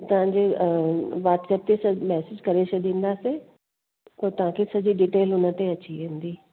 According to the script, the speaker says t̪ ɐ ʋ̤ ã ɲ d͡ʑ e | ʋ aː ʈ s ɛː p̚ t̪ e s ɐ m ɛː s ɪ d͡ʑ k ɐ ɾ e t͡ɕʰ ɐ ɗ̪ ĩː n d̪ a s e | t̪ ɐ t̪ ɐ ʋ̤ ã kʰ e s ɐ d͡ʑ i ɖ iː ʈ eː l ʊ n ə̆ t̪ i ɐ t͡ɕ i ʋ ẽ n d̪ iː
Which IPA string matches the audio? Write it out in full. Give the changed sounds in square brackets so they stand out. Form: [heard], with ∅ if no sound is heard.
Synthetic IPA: t̪ ɐ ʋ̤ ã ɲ d͡ʑ e | ʋ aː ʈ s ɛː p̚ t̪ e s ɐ m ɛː s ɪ d͡ʑ k ɐ ɾ e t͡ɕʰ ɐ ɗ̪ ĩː n d̪ a s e | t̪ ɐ t̪ ɐ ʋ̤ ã kʰ e s ɐ d͡ʑ i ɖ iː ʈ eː l ʊ n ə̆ t̪ [e] ɐ t͡ɕ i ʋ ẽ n d̪ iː